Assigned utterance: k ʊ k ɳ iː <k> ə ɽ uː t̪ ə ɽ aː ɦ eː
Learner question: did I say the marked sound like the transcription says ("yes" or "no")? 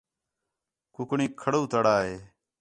no